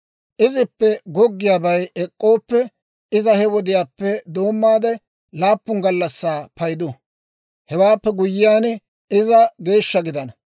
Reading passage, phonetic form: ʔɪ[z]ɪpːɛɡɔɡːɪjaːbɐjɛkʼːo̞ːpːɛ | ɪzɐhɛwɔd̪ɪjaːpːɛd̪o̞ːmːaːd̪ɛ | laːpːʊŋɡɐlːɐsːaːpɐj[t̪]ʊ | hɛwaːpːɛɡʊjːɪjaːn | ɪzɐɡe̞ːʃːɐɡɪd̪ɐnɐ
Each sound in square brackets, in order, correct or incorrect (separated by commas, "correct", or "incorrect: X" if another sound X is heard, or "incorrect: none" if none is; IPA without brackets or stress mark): correct, incorrect: d̪